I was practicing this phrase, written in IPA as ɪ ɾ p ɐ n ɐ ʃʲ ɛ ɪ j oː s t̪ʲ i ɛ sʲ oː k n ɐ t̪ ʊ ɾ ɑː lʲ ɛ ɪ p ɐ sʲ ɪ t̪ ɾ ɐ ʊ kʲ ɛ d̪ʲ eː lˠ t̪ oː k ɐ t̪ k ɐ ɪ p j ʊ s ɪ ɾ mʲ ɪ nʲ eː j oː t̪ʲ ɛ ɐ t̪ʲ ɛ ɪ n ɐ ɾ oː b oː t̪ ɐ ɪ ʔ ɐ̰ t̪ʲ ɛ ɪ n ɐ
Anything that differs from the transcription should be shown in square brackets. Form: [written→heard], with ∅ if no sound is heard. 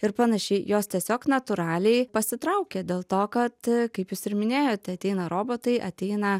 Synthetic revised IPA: ɪ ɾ p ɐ n ɐ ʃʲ ɛ ɪ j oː s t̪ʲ i ɛ sʲ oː k n ɐ t̪ ʊ ɾ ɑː lʲ ɛ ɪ p ɐ sʲ ɪ t̪ ɾ ɐ ʊ kʲ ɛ d̪ʲ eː lˠ t̪ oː k ɐ t̪ k ɐ ɪ p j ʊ s ɪ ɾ mʲ ɪ nʲ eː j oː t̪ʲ ɛ ɐ t̪ʲ ɛ ɪ n ɐ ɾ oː b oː t̪ ɐ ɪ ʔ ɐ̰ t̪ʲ ɛ ɪ n ɐ